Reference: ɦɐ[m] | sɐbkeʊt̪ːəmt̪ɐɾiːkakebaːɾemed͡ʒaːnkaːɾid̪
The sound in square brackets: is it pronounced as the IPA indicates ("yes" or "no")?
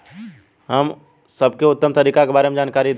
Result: yes